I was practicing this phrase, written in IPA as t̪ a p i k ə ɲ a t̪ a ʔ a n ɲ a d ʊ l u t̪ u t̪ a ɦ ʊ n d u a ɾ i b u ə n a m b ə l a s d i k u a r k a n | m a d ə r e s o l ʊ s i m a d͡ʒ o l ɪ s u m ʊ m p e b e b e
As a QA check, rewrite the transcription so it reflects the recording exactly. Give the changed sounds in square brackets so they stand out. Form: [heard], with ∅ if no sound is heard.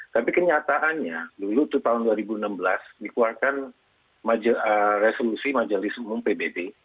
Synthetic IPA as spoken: t̪ a p i k ə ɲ a t̪ a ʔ a n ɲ a d [u] l u t̪ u t̪ a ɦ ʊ n d u a ɾ i b u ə n a m b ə l a s d i k u a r k a n | m a [d͡ʒ] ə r e s o l [u] s i m a d͡ʒ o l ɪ s u m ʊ m p e b e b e